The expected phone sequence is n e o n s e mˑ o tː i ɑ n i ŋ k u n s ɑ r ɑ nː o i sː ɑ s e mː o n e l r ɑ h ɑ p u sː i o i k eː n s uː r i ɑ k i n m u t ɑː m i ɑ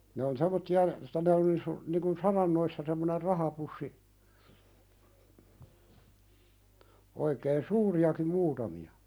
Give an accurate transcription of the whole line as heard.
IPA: n e o n s e mˑ o tː i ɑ n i ŋ k u n s ɑ r ɑ nː o i sː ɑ s e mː o n e r r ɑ h ɑ p u sː i o i k eː n s uː r i ɑ k i m m uː t ɑ m i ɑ